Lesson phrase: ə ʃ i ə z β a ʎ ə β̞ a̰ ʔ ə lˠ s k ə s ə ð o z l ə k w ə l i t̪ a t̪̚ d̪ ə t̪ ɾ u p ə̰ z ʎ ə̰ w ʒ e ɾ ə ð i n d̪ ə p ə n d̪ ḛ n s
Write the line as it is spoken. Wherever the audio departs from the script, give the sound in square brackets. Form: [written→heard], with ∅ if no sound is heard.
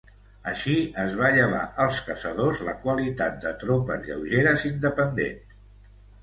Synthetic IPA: ə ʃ i ə z β a ʎ ə β̞ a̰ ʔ ə lˠ s k ə s ə ð o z l ə k w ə l i t̪ a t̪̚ d̪ ə t̪ ɾ [u→o] p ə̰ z ʎ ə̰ w ʒ e ɾ ə [ð→z] i n d̪ ə p ə n d̪ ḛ n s